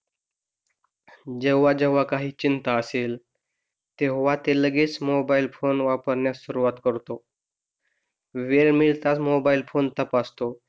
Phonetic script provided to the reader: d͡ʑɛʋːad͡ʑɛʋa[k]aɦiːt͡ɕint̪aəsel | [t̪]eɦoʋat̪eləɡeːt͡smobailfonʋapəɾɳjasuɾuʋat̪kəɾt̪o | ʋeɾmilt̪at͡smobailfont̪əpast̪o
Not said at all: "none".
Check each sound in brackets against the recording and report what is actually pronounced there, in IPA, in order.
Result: k, t̪

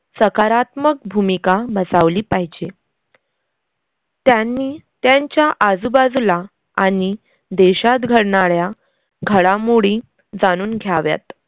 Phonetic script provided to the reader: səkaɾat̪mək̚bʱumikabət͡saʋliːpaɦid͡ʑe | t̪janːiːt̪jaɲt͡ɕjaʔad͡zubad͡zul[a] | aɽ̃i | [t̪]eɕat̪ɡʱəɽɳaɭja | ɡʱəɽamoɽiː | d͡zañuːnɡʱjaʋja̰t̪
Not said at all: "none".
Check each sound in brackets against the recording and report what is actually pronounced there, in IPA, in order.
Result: a, d̪

